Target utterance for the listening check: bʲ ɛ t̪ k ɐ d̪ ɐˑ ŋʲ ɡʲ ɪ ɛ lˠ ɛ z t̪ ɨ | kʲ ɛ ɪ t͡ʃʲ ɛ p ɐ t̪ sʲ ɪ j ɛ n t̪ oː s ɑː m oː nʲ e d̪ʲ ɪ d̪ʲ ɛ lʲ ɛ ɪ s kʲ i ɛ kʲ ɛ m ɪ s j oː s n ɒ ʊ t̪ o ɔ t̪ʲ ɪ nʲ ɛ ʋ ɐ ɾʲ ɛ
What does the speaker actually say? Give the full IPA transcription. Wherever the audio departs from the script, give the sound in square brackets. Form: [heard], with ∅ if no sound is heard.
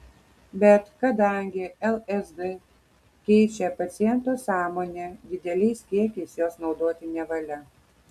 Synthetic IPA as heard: bʲ ɛ t̪ k ɐ d̪ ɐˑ ŋʲ ɡʲ ɪ ɛ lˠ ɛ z [d̪] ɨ | kʲ ɛ ɪ t͡ʃʲ ɛ p ɐ t̪ sʲ ɪ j ɛ n t̪ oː s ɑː m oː nʲ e d̪ʲ ɪ d̪ʲ ɛ lʲ ɛ ɪ s kʲ i ɛ kʲ ɛ [∅] ɪ s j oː s n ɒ ʊ [d̪] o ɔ t̪ʲ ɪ nʲ ɛ ʋ ɐ [lʲ] ɛ